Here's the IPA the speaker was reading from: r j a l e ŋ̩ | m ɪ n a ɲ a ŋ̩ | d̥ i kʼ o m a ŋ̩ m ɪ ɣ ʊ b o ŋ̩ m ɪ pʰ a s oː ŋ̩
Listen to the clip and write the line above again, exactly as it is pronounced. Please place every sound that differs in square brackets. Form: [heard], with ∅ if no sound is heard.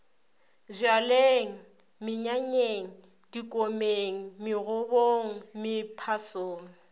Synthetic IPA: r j a l e ŋ̩ | m ɪ [ɲ] a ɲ [e] ŋ̩ | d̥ i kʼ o m [e] ŋ̩ m ɪ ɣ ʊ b o ŋ̩ m ɪ pʰ a s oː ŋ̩

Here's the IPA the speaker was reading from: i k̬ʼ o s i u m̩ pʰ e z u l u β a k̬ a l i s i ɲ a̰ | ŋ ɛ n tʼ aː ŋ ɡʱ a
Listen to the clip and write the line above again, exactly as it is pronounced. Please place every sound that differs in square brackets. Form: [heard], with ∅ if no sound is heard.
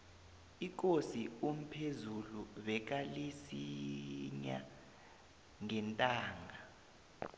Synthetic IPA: i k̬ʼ o s i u m̩ pʰ e z u l u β [ɛ] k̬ a l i s i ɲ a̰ | ŋ ɛ n tʼ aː ŋ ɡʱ a

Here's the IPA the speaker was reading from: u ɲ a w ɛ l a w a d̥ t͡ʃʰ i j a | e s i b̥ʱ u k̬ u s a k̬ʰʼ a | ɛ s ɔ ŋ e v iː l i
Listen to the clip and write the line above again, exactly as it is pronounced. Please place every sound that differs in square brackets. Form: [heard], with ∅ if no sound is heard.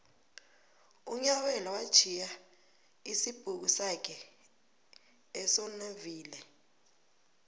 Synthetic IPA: u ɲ a w ɛ l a w a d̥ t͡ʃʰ i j a | [i] s i b̥ʱ u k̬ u s a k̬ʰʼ [ɛ] | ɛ s ɔ [n] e v iː l [ɛ]

